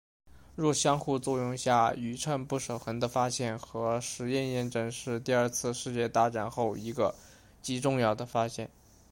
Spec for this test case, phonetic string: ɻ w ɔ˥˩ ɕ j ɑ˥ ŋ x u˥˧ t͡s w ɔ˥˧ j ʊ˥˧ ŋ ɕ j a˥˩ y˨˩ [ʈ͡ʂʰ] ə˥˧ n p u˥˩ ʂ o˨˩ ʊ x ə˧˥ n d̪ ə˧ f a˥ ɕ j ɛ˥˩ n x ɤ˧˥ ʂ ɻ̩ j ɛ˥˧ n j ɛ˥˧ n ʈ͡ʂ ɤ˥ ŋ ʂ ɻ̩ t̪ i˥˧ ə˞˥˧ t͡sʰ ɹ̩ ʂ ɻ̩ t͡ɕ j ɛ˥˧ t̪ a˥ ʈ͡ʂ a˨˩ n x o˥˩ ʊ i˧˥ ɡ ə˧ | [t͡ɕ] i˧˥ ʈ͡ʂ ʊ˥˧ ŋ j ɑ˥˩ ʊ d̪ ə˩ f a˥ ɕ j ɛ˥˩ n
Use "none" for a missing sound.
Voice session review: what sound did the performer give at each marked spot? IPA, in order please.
ʈ͡ʂʰ, t͡ɕ

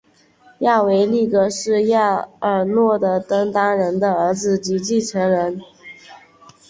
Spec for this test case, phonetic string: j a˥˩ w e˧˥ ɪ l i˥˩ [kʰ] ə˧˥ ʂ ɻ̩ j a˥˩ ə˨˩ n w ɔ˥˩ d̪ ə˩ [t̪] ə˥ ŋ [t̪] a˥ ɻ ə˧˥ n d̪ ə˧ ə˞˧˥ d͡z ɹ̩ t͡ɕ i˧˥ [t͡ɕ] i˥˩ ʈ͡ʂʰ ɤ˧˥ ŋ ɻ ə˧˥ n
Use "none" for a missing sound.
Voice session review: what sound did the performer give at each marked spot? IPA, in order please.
k, t̪, t̪, t͡ɕ

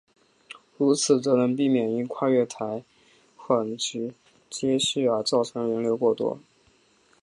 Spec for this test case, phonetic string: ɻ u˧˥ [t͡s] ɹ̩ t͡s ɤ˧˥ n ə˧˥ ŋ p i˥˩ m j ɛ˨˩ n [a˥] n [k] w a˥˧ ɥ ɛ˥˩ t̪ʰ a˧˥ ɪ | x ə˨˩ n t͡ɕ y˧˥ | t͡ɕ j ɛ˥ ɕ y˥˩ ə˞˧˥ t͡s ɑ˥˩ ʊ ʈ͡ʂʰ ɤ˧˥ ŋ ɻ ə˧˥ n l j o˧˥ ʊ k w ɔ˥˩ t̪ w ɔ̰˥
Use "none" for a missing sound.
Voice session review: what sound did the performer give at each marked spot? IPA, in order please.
t͡sʰ, i˥, kʰ

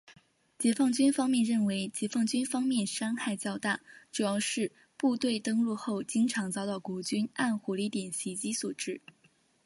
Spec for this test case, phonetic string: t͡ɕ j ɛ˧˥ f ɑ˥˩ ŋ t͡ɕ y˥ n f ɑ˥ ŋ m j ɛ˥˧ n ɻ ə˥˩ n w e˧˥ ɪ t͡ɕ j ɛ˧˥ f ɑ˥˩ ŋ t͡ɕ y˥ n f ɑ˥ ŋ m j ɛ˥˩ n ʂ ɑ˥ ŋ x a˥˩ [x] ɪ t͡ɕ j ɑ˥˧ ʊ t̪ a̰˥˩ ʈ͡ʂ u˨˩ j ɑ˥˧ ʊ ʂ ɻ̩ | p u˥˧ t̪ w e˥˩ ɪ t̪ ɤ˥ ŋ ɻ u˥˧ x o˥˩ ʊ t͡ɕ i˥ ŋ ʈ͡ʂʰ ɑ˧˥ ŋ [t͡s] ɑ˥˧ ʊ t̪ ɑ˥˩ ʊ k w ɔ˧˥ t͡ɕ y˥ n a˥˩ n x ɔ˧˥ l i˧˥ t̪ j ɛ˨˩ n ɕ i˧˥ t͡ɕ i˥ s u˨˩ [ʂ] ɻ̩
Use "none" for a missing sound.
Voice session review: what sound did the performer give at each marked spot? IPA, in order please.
none, t͡s, ʈ͡ʂ

